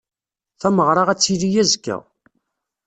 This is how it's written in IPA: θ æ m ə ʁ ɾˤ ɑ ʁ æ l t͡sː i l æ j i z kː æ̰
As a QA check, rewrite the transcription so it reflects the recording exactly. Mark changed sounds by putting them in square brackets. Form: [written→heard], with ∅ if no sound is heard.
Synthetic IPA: θ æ m ə ʁ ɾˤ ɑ ʁ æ [l→∅] t͡sː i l [æ→i] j [i→æ] z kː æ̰